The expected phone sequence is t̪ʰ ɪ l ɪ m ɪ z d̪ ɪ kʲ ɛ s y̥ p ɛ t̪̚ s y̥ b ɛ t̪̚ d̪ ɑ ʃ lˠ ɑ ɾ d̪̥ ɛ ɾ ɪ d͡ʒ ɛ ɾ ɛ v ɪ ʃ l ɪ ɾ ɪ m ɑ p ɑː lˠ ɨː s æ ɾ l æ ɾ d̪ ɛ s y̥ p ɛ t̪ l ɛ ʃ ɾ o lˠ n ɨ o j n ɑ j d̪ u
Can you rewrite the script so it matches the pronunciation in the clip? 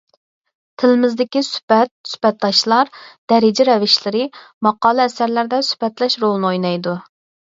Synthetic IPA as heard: t̪ʰ ɪ l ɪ m ɪ z d̪ ɪ kʲ i s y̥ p ɛ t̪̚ s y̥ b ɛ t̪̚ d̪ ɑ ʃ lˠ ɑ ɾ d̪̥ ɛ ɾ ɪ d͡ʒ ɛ ɾ ɛ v ɪ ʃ l ɪ ɾ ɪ m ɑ q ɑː lˠ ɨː s æ ɾ l æ ɾ d̪ ɛ s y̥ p ɛ t̪ l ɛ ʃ ɾ o lˠ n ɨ o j n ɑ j d̪ u